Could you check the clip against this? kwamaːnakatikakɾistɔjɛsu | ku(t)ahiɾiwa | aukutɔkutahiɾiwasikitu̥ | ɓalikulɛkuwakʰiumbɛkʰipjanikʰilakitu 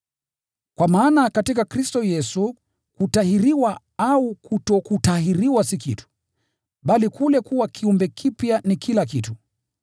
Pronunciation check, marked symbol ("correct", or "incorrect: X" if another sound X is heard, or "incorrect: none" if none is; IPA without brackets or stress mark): correct